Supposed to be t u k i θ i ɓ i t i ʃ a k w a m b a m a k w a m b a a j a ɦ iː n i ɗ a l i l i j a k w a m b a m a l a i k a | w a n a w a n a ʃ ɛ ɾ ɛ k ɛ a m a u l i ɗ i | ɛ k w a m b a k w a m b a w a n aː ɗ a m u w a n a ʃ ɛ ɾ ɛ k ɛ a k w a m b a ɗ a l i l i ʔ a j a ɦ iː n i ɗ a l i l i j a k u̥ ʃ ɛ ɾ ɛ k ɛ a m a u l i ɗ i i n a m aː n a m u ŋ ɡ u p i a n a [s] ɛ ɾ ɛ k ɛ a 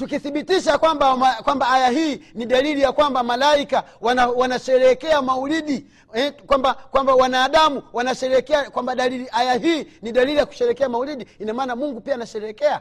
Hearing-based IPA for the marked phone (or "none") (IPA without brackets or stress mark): ʃ